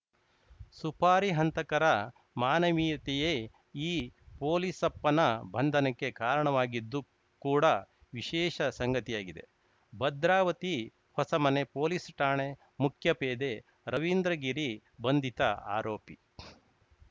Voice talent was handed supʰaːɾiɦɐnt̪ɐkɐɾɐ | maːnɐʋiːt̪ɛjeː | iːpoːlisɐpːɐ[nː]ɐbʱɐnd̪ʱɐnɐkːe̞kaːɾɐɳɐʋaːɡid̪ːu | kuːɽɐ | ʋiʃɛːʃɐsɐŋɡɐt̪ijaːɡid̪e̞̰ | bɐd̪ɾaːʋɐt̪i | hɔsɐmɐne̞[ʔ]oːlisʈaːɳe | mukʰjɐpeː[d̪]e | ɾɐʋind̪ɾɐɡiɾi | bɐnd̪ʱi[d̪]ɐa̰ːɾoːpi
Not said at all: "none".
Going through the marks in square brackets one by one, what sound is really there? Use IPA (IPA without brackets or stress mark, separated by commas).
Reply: n, p, d̪, t̪